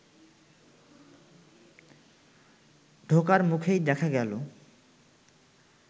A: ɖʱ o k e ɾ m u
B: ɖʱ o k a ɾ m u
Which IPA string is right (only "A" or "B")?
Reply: B